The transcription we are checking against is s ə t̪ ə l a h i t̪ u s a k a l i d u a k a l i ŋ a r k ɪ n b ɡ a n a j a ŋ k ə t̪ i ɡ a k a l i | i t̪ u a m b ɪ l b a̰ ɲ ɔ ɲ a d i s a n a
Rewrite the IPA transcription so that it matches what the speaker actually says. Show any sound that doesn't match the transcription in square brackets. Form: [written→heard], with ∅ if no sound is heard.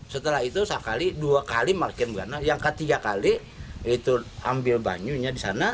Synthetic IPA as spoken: s ə t̪ ə l a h i t̪ u s a k a l i d u a k a l i [ŋ→m] a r k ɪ n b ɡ a n a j a ŋ k ə t̪ i ɡ a k a l i | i t̪ u a m b ɪ l b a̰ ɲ [ɔ→u] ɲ a d i s a n a